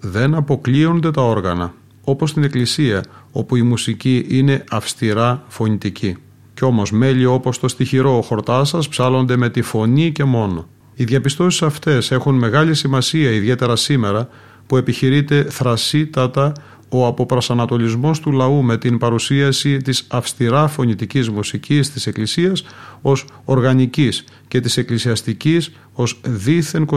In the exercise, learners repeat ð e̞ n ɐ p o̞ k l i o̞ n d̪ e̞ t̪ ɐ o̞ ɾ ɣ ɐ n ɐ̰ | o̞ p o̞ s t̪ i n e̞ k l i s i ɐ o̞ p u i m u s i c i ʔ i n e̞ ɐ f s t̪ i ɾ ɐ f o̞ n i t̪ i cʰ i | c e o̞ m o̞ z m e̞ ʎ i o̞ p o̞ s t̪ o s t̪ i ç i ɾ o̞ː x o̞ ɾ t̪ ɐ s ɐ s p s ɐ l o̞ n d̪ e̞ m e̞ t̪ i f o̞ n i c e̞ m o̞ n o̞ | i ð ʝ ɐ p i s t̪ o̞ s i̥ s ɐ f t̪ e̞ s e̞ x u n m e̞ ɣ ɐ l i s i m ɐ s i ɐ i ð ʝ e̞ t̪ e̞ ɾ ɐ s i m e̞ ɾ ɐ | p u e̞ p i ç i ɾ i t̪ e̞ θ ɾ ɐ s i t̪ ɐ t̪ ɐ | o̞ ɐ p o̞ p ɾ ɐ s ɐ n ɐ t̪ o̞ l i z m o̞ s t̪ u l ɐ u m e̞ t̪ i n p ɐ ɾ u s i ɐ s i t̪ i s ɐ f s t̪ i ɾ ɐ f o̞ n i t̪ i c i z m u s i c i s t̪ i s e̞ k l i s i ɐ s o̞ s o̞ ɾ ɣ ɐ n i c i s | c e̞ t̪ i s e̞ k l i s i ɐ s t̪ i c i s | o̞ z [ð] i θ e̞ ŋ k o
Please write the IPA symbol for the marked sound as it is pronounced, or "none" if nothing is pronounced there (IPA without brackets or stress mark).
ð